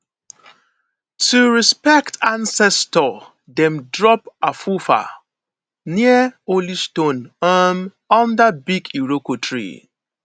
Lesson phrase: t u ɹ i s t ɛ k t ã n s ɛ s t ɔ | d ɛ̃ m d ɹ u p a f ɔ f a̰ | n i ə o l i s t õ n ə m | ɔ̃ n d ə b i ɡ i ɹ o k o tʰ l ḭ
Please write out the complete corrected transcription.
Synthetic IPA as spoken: t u ɹ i s p ɛ k t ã n s ɛ s t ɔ | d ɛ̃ m d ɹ ɔ p a f u f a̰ | n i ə o l i s t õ n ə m | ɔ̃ n d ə b i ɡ i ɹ o k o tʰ ɹ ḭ